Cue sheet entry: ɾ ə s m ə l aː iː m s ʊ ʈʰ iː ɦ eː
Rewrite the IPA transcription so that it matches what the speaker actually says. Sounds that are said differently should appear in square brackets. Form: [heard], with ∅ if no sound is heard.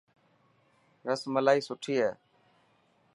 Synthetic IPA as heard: ɾ ə s m ə l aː iː [∅] s ʊ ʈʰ iː ɦ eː